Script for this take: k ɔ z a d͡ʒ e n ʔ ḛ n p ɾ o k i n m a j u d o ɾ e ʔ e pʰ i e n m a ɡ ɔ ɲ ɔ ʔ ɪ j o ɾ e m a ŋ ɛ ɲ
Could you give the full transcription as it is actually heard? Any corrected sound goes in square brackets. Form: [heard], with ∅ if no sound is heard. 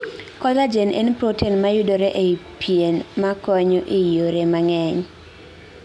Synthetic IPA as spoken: k ɔ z a d͡ʒ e n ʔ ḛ n p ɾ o [t] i n m a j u d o ɾ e ʔ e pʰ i e n m a [k] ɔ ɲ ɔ ʔ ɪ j o ɾ e m a ŋ ɛ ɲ